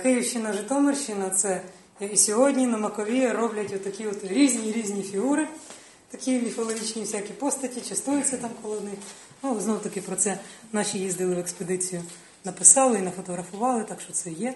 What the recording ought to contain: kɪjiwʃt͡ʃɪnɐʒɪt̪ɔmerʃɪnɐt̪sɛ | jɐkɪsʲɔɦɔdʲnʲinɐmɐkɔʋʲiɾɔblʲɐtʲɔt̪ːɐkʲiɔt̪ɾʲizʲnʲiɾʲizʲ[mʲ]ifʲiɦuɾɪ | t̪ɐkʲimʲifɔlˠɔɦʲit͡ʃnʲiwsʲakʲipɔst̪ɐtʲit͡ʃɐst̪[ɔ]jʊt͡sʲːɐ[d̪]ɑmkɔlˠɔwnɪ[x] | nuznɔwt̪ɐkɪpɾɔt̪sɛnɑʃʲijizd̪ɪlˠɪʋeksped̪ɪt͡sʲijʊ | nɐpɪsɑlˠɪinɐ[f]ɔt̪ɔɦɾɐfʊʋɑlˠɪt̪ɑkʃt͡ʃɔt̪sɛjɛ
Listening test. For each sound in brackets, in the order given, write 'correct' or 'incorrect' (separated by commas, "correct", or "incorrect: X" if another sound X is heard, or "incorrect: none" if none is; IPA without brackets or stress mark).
incorrect: nʲ, incorrect: u, incorrect: t̪, correct, correct